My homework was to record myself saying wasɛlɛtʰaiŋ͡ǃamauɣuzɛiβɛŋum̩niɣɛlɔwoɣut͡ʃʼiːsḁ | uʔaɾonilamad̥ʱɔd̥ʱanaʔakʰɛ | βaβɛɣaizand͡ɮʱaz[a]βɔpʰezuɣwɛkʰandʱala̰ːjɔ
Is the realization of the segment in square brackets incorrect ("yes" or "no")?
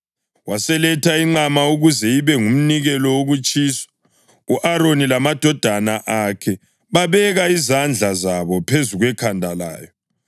no